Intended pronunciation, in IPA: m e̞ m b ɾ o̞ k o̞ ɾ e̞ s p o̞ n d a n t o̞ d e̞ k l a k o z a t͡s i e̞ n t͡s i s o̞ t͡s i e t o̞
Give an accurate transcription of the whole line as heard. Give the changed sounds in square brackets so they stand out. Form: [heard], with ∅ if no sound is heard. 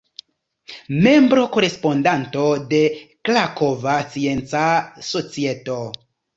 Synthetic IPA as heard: m e̞ m b ɾ o̞ k o̞ ɾ e̞ s p o̞ n d a n t o̞ d e̞ k l a k o [v] a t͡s i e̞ n t͡s [a] s o̞ t͡s i e t o̞

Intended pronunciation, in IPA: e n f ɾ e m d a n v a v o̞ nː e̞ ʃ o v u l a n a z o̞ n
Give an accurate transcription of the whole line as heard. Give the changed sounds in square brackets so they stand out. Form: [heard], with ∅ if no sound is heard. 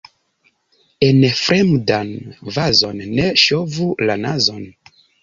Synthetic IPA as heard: e n f ɾ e m d a n v a [z] o̞ nː e̞ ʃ o v u l a n a z o̞ n

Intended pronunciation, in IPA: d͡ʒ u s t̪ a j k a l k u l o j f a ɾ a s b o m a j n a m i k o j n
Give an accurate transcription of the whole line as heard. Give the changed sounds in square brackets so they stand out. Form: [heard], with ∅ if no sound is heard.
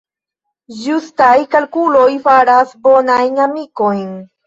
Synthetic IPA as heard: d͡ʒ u s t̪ a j k a l k u l o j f a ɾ a s b o [n] a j n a m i k o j n

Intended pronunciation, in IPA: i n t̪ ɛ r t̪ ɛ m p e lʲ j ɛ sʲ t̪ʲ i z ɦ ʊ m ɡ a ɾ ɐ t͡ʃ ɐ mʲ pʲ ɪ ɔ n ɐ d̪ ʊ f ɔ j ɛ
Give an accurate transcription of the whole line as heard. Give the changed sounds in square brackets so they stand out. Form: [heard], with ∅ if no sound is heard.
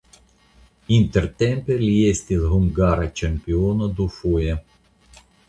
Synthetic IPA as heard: i n t̪ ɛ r t̪ ɛ m p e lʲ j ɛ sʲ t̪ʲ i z ɦ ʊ m ɡ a ɾ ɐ t͡ʃ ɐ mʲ pʲ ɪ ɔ n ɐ d̪ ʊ f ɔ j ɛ

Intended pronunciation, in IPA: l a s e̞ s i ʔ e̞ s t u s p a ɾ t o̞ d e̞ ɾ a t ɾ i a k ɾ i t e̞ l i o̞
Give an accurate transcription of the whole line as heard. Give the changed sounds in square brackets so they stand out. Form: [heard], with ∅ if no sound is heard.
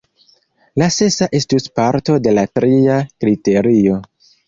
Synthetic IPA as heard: l a s e̞ s [a] ʔ e̞ s t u s p a ɾ t o̞ d e̞ [l] a t ɾ i a k ɾ i t e̞ [ɾ] i o̞

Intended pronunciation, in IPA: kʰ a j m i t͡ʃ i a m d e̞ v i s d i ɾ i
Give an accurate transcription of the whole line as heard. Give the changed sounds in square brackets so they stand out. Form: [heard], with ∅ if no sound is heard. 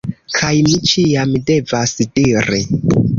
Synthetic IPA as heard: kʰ a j m i t͡ʃ i a m d e̞ v [a] s d i ɾ i

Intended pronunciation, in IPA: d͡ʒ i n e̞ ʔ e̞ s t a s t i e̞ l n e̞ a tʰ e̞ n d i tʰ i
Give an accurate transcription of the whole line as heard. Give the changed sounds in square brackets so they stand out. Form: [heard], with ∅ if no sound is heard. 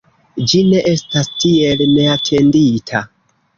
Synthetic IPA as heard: d͡ʒ i n e̞ ʔ e̞ s t a s t i e̞ l n e̞ a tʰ e̞ n d i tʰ [a]

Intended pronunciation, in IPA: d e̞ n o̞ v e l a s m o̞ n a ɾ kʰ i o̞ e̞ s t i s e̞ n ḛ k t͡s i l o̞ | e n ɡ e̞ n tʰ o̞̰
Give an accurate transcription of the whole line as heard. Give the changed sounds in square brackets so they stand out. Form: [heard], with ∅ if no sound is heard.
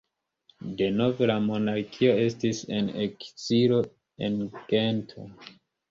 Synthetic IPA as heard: d e̞ n o̞ v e l a [∅] m o̞ n a ɾ kʰ i o̞ e̞ s t i s e̞ n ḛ k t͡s i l o̞ | e n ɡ e̞ n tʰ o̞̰

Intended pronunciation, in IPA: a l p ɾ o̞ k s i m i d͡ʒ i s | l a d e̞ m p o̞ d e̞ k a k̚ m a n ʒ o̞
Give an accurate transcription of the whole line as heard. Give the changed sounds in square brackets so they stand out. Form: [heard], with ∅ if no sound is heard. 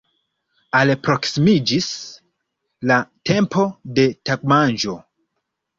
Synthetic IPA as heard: a l p ɾ o̞ k s i m i d͡ʒ i s | l a [t] e̞ m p o̞ d e̞ [t] a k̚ m a n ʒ o̞

